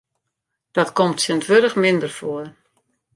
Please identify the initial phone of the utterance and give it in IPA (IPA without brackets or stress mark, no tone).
d̥